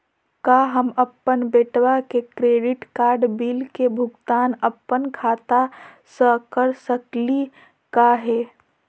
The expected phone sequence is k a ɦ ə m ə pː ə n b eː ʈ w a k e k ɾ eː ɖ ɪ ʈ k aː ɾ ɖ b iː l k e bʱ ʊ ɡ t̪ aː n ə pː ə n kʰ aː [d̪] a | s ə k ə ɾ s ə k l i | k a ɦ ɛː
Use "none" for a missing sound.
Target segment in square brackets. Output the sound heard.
t̪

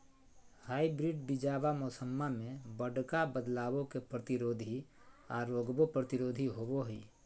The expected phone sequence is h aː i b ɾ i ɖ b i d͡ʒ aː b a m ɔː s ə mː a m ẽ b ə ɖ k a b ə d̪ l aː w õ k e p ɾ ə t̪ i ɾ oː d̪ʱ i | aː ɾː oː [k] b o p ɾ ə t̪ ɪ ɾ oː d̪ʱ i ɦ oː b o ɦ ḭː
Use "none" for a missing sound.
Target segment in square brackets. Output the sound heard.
ɡ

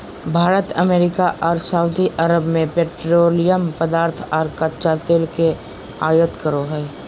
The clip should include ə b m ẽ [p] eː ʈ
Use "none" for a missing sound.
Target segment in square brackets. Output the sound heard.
p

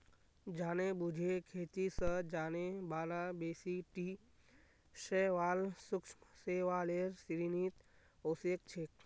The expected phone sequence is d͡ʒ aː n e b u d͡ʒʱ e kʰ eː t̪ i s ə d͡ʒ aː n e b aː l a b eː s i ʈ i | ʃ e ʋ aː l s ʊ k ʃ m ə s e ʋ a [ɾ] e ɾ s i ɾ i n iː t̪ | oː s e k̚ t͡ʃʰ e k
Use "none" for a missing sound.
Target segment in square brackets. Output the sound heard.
l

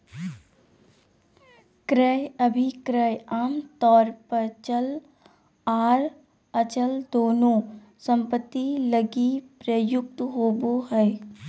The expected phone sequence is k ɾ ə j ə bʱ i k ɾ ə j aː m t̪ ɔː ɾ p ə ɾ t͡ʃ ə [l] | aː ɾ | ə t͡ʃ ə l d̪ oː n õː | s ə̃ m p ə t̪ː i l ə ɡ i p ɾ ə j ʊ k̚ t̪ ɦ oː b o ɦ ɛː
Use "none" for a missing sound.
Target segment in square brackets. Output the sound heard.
l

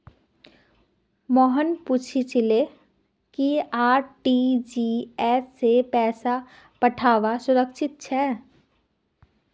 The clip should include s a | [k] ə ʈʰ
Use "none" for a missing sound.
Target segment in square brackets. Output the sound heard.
p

